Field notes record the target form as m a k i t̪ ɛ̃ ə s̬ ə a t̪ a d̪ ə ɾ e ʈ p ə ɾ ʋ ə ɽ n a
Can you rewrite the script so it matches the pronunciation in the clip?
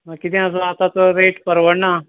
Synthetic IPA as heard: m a k i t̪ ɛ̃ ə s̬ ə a t̪ a t̪ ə ɾ e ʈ p ə ɾ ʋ ə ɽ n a